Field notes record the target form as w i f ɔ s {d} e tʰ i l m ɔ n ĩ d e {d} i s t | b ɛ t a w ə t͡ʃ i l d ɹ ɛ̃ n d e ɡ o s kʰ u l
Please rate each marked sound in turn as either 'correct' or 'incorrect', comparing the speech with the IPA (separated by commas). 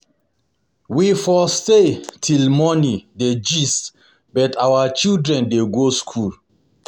incorrect, incorrect